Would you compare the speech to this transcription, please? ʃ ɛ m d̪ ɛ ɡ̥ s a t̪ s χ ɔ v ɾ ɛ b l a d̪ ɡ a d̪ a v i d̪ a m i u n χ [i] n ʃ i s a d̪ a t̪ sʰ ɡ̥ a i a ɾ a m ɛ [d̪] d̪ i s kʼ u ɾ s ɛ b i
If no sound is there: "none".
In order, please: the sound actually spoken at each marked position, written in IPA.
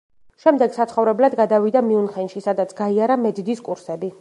ɛ, d̪

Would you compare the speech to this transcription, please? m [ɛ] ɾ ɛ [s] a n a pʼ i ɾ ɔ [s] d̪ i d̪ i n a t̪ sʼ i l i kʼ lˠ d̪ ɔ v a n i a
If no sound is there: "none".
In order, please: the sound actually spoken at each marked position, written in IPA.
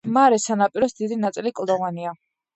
a, s, s

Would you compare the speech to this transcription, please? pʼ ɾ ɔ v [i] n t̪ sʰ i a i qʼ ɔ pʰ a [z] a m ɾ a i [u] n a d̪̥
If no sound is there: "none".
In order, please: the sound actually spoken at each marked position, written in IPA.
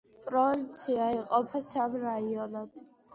i, s, ɔ

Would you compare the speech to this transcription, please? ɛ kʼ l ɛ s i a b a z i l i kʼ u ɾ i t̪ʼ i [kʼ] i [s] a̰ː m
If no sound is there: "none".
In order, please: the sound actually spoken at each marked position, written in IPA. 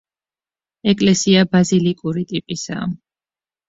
pʼ, s

